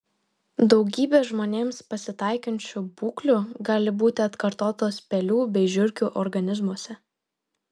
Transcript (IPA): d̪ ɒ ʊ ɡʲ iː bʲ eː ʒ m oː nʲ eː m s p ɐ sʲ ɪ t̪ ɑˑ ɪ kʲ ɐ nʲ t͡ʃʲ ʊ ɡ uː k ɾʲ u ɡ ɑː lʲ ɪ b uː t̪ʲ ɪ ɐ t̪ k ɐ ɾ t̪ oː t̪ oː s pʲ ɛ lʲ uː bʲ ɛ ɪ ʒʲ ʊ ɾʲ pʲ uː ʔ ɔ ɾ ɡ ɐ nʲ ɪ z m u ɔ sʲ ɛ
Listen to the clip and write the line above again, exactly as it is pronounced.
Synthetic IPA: d̪ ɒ ʊ ɡʲ iː bʲ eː ʒ m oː nʲ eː m s p ɐ sʲ ɪ t̪ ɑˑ ɪ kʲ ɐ nʲ t͡ʃʲ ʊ b uː k lʲ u ɡ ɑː lʲ ɪ b uː t̪ʲ ɪ ɐ t̪ k ɐ ɾ t̪ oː t̪ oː s pʲ ɛ lʲ uː bʲ ɛ ɪ ʒʲ ʊ ɾʲ kʲ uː ʔ ɔ ɾ ɡ ɐ nʲ ɪ z m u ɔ sʲ ɛ